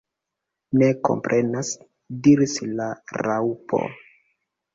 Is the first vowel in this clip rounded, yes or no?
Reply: no